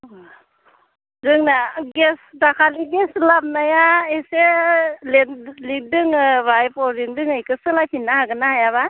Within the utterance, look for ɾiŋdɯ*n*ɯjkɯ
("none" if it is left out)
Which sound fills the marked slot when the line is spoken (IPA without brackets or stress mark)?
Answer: ŋ